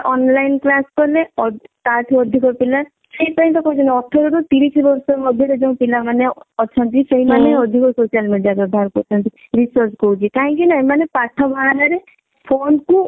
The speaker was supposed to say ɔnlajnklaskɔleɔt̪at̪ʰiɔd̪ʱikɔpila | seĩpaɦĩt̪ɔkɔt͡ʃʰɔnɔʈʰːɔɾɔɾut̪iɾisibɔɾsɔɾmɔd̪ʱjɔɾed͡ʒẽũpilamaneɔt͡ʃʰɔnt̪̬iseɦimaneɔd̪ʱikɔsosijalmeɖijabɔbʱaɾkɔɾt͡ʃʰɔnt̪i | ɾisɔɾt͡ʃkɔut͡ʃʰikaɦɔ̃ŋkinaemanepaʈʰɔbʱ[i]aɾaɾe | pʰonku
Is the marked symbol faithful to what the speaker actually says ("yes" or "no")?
no